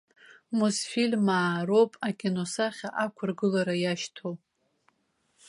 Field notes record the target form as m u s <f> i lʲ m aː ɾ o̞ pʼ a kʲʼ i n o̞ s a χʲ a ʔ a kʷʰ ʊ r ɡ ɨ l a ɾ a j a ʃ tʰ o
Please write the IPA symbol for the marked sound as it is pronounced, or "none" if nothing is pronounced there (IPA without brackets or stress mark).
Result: f